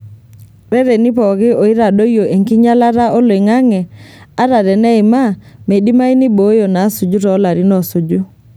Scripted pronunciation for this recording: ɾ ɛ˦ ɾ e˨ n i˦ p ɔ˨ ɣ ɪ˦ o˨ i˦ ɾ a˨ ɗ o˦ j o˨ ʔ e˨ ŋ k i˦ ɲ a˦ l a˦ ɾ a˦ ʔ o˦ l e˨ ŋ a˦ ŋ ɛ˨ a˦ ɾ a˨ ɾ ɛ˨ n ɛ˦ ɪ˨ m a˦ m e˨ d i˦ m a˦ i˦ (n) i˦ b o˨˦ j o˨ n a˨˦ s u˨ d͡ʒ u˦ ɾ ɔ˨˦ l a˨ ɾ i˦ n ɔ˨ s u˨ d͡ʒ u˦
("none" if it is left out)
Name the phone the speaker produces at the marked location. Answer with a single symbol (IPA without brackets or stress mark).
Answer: n